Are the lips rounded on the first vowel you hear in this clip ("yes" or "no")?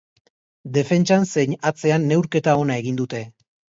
no